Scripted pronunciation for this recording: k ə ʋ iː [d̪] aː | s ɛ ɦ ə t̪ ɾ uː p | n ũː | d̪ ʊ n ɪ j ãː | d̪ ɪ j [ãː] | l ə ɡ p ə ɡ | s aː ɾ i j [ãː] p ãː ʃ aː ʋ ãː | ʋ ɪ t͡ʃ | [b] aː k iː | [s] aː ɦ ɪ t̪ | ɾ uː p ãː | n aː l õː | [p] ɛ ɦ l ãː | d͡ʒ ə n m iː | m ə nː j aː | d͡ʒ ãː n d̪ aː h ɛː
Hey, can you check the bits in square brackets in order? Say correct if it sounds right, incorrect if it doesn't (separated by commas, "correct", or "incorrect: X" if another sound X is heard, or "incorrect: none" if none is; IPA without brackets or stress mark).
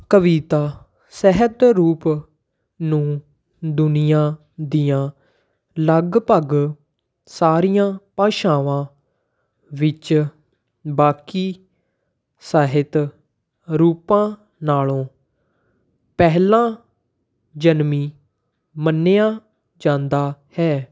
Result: incorrect: t̪, correct, correct, correct, correct, correct